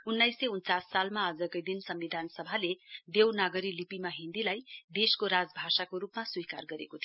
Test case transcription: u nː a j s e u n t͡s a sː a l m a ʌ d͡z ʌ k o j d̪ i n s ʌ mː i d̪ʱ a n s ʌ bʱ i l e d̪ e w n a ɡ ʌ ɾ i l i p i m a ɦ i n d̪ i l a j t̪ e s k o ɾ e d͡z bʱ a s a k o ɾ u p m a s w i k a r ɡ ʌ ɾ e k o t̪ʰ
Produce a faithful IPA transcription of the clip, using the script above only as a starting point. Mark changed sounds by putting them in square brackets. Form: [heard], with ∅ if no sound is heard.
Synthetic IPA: u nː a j s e u n t͡s a sː a l m a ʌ d͡z ʌ k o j d̪ i n s ʌ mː i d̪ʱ a n s ʌ bʱ [a] l e d̪ e w n a ɡ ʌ ɾ i l i p i m a ɦ i n d̪ i l a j [d̪] e s k o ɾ [a] d͡z bʱ a s a k o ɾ u p m a s w i k a r ɡ ʌ ɾ e k o t̪ʰ